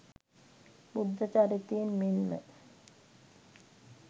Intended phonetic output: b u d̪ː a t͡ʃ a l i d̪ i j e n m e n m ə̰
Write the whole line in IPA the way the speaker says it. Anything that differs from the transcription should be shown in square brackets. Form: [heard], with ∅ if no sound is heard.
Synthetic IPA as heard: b u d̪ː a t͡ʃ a [ɾ] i [t̪] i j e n m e n m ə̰